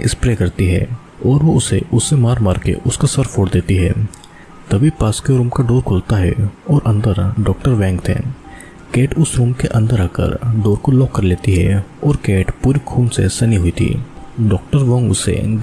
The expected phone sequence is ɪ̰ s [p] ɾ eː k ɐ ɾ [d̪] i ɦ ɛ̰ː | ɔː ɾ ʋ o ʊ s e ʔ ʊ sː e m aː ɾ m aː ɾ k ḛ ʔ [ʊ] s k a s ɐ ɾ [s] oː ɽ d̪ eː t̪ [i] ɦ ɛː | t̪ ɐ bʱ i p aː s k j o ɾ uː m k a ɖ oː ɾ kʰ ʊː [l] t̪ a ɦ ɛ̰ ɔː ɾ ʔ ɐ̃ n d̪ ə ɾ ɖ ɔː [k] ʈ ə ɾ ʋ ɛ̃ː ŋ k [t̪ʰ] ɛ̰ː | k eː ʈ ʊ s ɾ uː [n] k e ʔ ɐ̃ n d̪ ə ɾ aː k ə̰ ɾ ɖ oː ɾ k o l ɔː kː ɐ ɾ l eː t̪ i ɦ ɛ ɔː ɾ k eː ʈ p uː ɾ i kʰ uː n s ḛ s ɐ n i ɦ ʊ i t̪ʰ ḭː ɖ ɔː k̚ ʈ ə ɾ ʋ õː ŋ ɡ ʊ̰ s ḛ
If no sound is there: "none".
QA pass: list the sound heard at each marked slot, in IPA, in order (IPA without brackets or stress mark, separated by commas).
p, t̪, ʊ, f, i, l, k, t̪ʰ, m